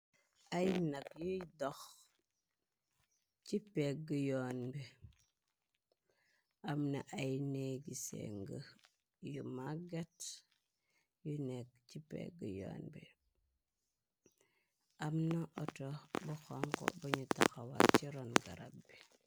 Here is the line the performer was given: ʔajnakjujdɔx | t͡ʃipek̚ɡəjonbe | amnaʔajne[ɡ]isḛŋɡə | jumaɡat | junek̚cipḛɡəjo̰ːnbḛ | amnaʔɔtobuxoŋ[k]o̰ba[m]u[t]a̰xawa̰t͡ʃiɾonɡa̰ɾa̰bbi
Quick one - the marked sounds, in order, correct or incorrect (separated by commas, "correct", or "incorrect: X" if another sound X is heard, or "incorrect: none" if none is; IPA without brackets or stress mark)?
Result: correct, correct, incorrect: ɲ, correct